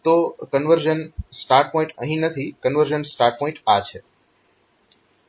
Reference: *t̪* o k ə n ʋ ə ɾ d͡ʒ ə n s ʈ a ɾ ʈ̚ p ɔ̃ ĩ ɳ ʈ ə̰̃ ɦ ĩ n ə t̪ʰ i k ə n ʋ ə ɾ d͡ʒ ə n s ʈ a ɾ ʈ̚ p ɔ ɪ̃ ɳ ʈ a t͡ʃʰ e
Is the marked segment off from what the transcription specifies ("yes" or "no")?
no